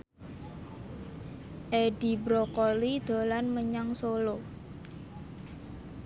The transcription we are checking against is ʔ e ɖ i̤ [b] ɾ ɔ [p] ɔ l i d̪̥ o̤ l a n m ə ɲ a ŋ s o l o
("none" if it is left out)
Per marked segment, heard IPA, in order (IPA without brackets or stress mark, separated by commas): b, k